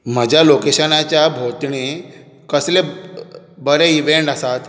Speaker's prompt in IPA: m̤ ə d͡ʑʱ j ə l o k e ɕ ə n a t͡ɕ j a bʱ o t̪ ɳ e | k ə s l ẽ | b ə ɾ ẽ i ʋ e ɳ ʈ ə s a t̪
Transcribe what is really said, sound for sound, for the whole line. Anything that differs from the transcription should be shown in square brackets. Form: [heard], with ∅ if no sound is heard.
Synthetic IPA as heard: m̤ ə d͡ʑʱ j [a] l o k e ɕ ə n a t͡ɕ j a bʱ o t̪ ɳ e | k ə s l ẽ | b ə ɾ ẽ i ʋ e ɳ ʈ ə s a t̪